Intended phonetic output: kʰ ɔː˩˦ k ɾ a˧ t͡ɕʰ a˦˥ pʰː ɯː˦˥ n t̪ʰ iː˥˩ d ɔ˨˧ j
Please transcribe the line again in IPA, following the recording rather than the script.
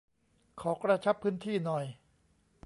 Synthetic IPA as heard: kʰ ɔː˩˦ k ɾ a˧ t͡ɕʰ a˦˥ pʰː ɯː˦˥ n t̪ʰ iː˥˩ n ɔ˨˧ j